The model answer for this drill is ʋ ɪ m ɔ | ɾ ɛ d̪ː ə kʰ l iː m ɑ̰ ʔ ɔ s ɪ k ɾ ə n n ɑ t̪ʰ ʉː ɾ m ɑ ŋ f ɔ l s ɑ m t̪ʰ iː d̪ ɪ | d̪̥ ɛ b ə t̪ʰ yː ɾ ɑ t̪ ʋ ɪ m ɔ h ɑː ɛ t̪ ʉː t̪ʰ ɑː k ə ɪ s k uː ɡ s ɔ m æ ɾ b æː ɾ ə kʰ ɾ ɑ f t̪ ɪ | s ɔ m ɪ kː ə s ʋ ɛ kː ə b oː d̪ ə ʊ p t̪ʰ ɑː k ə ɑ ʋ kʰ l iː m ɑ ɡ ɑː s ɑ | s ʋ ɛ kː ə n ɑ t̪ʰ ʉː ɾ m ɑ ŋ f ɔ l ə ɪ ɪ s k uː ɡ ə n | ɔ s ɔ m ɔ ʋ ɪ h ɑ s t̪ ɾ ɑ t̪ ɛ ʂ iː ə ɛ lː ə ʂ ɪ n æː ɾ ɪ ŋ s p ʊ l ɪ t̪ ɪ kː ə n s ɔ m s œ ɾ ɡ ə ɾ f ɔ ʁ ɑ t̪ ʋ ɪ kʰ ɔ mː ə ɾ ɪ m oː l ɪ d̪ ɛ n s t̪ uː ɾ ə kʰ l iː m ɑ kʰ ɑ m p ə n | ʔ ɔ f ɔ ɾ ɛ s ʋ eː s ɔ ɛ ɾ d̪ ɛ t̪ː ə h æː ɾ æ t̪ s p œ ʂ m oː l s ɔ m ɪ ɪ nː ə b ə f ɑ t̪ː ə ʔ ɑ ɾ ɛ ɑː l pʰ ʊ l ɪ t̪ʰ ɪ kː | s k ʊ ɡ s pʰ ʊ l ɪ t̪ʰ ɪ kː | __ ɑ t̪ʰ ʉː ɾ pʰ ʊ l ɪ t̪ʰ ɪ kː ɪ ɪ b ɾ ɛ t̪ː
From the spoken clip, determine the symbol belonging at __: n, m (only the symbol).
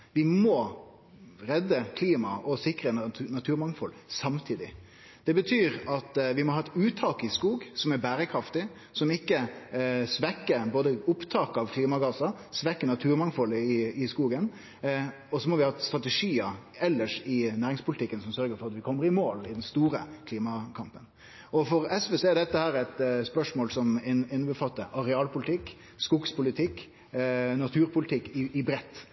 n